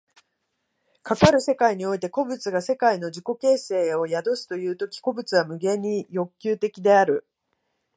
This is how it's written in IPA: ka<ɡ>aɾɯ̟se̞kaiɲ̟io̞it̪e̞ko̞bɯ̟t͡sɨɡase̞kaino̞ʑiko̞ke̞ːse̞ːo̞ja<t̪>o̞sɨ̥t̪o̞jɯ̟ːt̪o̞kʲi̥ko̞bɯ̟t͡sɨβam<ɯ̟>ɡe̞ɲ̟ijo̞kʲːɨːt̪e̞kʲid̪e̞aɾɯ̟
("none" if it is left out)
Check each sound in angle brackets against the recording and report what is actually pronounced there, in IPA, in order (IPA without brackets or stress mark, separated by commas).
k, d̪, ɯ̟